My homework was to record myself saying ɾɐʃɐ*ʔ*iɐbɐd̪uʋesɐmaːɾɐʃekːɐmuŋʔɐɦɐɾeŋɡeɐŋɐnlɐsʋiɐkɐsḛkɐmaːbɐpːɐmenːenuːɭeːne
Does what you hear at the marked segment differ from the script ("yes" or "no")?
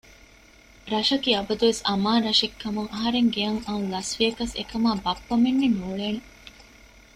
yes